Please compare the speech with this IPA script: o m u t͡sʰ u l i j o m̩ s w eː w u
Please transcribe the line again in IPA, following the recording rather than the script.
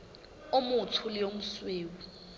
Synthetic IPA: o m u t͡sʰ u l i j o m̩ s w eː w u